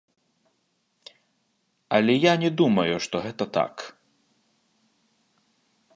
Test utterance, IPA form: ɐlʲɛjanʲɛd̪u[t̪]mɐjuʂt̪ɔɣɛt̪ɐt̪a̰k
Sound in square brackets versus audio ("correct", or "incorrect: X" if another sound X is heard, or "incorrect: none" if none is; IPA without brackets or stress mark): incorrect: none